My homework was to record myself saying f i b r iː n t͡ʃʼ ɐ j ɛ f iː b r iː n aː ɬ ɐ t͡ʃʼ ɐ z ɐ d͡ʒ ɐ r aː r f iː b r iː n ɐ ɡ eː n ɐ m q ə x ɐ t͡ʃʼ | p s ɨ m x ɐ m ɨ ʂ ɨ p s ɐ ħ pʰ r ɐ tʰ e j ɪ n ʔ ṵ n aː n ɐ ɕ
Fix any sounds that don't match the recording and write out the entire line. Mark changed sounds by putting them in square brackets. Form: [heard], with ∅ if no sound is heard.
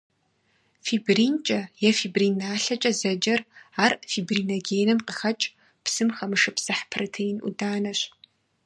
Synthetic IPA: f i b r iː n t͡ʃʼ ɐ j ɛ f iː b r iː n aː ɬ ɐ t͡ʃʼ ɐ z ɐ d͡ʒ ɐ r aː r f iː b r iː n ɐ ɡ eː n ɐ m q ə x ɐ t͡ʃʼ | p s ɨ m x ɐ m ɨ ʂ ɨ p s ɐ ħ pʰ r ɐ tʰ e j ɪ n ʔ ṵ [d] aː n ɐ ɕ